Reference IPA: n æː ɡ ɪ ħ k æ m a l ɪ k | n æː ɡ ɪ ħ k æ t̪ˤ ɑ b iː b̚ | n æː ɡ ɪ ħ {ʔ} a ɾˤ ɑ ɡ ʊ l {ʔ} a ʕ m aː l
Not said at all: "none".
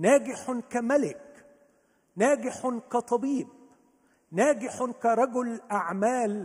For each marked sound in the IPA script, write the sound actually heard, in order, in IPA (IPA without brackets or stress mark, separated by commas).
k, ʔ